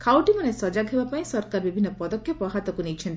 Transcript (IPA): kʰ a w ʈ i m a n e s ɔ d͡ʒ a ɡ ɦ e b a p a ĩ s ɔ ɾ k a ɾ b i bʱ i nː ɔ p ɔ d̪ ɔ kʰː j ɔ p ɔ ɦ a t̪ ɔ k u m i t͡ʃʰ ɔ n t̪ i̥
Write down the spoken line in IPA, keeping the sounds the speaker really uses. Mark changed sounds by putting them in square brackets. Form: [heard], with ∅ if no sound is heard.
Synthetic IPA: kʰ a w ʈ i m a n e s ɔ d͡ʒ a ɡ ɦ e b a p a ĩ s ɔ ɾ k a ɾ b i bʱ i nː ɔ p ɔ d̪ ɔ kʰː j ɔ p ɔ ɦ a t̪ ɔ k u [n] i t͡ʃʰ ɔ n t̪ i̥